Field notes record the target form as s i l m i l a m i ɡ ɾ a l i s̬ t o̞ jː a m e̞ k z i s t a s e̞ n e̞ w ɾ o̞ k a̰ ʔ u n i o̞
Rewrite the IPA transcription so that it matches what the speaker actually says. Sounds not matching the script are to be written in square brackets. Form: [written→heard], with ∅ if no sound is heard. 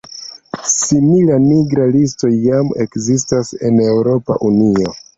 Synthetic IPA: s i [l→∅] m i l a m i ɡ ɾ a l i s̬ t o̞ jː a m e̞ k z i s t a s e̞ n e̞ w ɾ o̞ [k→p] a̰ ʔ u n i o̞